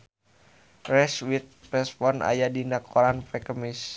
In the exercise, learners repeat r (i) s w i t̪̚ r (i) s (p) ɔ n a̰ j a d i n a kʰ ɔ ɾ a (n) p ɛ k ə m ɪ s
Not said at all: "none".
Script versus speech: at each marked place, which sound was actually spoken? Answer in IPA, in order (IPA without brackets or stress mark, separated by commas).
ɛ, ɛ, p, n